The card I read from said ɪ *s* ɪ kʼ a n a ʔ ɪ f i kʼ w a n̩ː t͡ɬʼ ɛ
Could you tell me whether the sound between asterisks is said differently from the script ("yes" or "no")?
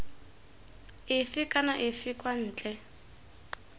yes